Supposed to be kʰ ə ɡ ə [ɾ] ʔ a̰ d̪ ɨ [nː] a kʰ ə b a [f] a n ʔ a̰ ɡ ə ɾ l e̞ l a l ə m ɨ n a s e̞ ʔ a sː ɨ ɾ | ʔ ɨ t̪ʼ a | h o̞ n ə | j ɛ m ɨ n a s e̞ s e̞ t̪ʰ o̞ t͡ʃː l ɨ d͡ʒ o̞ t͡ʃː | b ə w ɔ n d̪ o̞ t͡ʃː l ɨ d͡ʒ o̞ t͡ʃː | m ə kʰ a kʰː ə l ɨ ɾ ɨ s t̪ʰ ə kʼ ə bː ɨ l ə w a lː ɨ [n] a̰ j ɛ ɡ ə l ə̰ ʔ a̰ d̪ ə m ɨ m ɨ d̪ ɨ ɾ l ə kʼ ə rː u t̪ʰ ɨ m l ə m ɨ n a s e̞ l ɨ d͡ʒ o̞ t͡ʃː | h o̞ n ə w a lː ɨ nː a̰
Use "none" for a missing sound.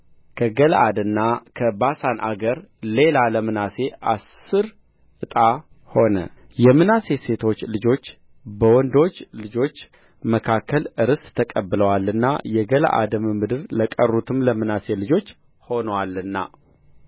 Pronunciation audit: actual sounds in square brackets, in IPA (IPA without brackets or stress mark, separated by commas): l, nː, s, nː